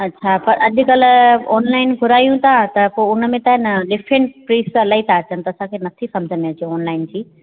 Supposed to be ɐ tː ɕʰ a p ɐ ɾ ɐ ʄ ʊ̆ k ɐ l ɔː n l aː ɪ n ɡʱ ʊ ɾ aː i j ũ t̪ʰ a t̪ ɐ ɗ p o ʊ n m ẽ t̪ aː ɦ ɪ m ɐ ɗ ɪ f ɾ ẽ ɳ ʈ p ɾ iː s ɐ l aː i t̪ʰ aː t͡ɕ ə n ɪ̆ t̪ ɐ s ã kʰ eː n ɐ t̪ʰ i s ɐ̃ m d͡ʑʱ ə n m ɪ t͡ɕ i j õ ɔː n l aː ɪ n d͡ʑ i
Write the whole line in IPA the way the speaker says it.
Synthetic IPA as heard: ɐ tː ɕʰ a p ɐ ɾ ɐ ʄ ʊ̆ k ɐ l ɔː n l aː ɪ n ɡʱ ʊ ɾ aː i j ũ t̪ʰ a t̪ ɐ p o ʊ n m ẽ t̪ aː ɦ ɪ n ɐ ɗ ɪ f ɾ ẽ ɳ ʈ p ɾ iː s ɐ l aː i t̪ʰ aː t͡ɕ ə n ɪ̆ t̪ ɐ s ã kʰ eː n ɐ t̪ʰ i s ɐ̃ m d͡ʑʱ ə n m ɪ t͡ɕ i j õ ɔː n l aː ɪ n d͡ʑ iː